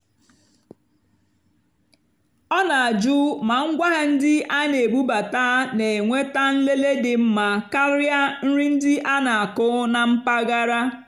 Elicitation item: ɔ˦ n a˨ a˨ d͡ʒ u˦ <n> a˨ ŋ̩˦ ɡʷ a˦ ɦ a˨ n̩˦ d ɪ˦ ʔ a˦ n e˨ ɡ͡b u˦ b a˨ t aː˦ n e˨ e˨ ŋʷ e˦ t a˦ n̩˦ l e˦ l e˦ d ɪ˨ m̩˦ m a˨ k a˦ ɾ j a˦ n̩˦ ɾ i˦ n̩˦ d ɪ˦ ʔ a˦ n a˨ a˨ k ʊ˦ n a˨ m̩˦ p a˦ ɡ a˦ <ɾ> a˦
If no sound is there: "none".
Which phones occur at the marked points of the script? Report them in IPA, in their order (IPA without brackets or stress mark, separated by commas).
m, ɾ